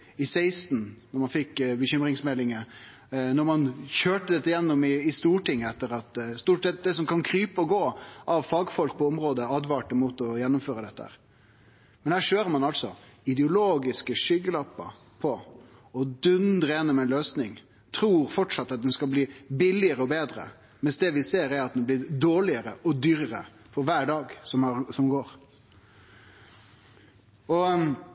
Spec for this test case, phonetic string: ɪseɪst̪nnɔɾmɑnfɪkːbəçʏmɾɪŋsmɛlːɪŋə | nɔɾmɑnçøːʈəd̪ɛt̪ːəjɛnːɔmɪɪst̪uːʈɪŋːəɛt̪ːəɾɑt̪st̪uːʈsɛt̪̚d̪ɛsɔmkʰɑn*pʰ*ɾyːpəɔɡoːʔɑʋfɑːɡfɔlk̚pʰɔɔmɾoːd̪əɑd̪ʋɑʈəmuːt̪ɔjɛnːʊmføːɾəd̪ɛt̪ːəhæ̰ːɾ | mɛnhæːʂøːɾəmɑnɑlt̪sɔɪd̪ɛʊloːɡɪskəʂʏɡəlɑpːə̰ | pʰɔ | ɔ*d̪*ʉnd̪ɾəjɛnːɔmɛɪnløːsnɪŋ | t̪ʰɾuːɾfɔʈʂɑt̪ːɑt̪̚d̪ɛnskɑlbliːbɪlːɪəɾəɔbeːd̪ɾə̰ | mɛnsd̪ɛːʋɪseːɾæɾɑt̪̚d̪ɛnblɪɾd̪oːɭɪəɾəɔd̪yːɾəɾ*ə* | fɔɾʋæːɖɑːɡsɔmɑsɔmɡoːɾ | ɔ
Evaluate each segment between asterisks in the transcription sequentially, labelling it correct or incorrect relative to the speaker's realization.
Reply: incorrect, correct, correct

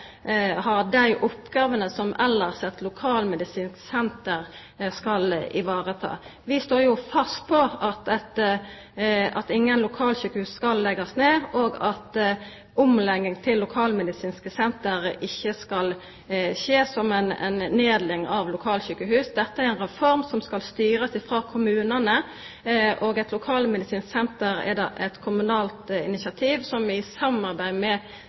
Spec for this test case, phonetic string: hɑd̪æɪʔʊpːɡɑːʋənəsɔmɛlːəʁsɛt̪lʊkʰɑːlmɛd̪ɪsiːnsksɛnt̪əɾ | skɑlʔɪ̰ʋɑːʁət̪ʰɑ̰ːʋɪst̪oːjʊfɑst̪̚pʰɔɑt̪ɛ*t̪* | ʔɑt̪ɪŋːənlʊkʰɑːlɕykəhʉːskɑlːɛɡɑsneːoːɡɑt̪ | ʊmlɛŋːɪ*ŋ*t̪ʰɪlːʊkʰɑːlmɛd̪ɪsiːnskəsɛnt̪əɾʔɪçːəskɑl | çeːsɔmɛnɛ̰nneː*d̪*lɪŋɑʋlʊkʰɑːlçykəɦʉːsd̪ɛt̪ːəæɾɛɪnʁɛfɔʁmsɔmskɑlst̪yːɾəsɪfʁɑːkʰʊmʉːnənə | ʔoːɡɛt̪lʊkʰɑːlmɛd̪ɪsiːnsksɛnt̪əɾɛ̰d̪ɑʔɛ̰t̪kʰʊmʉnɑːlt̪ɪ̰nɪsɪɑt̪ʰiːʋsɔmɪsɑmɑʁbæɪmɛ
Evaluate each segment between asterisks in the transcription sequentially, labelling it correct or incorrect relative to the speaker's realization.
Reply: correct, correct, correct

